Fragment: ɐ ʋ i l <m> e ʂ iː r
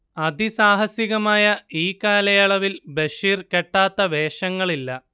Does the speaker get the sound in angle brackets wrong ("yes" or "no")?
yes